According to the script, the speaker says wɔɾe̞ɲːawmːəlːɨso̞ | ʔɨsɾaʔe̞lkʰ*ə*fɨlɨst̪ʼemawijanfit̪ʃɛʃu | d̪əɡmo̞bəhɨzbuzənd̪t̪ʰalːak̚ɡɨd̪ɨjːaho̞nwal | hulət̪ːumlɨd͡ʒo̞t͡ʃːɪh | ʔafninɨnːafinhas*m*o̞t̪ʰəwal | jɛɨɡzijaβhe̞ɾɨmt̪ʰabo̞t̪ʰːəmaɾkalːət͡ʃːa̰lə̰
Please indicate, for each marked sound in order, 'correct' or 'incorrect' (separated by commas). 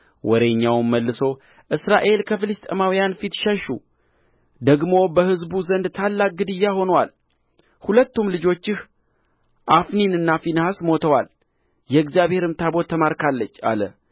correct, correct